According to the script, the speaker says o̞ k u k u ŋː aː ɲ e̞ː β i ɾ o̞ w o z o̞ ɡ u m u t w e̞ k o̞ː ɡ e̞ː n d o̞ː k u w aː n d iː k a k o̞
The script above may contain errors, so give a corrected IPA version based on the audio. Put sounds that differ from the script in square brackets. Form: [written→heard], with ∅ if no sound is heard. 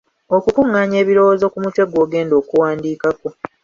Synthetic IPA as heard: o̞ k u k u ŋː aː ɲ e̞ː β i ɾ o̞ w o z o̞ [ɡ→k] u m u t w e̞ [k→ɡ] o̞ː ɡ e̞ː n d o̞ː k u w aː n d iː k a k o̞